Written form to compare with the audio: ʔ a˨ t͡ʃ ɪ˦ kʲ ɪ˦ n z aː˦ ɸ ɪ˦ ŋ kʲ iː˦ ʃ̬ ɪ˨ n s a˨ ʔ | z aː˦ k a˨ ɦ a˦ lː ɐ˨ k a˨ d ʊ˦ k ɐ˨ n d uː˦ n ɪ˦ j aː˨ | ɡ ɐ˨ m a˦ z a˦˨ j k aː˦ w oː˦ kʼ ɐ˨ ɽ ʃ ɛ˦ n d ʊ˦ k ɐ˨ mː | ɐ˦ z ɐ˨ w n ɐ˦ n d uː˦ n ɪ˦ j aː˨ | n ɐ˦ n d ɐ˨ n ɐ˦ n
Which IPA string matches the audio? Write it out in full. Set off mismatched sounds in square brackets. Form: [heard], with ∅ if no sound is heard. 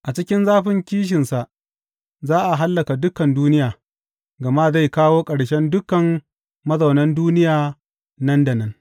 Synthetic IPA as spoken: ʔ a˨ t͡ʃ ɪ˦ kʲ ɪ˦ n z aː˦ ɸ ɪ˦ ŋ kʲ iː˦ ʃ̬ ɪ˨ n s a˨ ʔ | z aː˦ [ʔ] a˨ ɦ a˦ lː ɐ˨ k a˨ d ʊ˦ k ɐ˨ n d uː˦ n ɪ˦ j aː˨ | ɡ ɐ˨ m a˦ z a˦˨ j k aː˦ w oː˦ kʼ ɐ˨ ɽ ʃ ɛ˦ n d ʊ˦ k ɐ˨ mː | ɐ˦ z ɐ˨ w n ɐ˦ n d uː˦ n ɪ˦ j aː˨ | n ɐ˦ n d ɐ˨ n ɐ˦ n